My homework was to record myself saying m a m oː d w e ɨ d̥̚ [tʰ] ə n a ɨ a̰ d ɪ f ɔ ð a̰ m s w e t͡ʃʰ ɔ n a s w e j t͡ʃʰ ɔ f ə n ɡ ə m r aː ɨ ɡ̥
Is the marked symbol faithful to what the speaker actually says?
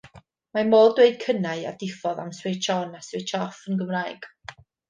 no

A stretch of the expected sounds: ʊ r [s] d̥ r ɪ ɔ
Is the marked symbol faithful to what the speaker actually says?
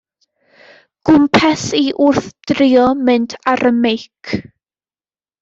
no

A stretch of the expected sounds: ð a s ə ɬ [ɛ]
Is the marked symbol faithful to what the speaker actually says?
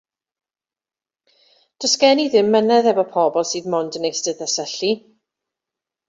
no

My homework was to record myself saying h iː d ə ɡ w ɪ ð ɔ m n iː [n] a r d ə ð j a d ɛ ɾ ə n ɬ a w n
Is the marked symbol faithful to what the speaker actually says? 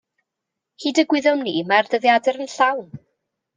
no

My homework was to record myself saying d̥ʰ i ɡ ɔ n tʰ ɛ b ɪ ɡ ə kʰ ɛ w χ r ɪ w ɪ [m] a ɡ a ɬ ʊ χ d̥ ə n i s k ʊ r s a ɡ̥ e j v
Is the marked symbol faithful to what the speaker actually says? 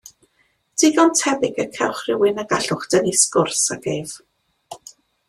no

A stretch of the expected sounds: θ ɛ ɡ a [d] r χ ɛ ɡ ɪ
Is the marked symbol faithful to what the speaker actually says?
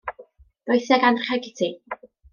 no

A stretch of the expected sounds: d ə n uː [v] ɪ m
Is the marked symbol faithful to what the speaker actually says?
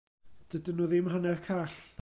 no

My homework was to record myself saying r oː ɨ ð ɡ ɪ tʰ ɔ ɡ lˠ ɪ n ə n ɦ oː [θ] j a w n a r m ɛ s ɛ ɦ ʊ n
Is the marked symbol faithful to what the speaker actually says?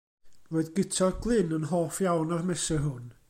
no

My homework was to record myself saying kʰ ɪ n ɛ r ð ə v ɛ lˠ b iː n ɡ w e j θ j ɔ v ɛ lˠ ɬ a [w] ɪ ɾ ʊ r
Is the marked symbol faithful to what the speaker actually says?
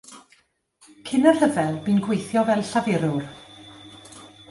no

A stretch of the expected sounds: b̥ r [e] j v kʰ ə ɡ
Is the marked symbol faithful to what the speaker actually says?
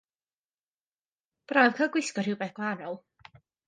no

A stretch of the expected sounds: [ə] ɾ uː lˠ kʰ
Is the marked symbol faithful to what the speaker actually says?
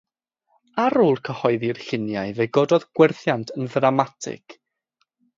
no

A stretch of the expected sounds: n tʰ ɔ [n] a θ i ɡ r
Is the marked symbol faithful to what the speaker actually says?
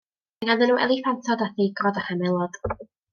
no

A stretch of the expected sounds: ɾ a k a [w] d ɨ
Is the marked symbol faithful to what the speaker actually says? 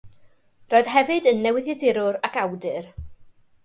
yes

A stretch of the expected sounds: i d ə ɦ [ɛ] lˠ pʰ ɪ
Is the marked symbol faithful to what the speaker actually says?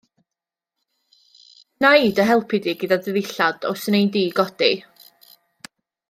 yes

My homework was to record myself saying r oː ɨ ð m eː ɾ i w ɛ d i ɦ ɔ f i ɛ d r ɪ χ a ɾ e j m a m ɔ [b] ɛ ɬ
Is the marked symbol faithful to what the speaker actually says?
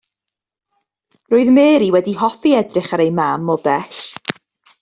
yes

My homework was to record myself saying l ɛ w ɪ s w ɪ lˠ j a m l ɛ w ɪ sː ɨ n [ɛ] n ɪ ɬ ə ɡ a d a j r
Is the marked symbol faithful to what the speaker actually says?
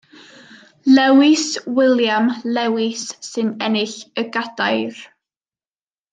yes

